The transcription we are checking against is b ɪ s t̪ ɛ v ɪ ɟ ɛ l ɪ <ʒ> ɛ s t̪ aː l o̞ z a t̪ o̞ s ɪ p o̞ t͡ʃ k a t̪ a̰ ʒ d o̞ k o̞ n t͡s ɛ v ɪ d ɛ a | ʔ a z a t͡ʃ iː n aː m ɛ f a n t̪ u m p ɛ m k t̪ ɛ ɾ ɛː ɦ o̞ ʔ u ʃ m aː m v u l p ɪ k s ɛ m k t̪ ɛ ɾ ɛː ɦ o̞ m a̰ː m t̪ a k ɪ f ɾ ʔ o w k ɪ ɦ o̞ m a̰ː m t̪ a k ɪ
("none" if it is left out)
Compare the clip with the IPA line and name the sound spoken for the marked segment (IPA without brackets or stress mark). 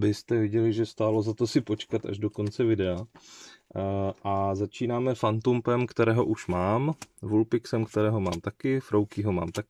ʒ